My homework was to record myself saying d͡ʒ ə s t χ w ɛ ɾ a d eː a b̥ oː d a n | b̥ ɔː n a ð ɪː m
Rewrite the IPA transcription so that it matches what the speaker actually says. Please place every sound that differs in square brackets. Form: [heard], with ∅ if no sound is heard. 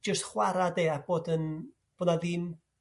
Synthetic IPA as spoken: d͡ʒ ə s t χ w [a] ɾ a d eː a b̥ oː d [ə] n | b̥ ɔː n a ð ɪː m